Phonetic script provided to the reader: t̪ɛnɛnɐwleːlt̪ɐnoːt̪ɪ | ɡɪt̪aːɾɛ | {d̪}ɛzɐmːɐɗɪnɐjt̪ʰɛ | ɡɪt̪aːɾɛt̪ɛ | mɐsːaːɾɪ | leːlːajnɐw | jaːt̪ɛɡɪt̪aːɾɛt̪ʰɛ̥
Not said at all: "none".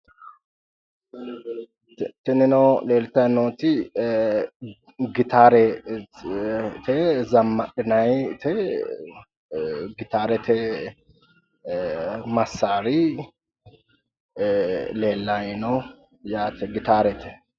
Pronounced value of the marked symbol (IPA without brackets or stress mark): t̪